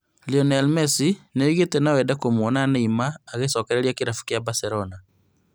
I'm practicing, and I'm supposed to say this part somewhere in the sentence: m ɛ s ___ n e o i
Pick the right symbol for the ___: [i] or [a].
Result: i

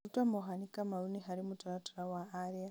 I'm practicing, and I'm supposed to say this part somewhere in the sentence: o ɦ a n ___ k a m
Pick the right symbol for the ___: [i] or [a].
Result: i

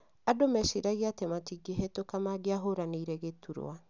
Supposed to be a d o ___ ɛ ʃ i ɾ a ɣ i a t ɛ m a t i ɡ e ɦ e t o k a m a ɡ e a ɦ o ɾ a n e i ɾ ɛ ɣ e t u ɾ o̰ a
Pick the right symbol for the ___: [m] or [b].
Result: m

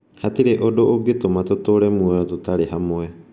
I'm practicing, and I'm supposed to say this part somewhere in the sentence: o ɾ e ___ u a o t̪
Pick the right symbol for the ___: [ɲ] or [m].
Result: m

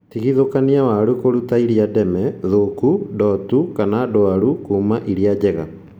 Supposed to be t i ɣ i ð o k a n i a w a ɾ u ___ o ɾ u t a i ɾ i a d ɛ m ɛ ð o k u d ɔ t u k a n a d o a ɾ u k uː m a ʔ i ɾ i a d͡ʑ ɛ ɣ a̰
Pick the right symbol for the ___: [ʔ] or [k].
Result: k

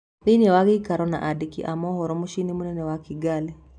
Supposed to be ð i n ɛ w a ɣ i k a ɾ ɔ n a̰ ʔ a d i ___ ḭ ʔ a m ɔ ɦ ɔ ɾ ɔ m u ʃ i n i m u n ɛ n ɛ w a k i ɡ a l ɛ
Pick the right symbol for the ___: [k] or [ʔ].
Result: k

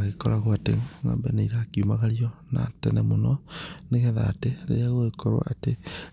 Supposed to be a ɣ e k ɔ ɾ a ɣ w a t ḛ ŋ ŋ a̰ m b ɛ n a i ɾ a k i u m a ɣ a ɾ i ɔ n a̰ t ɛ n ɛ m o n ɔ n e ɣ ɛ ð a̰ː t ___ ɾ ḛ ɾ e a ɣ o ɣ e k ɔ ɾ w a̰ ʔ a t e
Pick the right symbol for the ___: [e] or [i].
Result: e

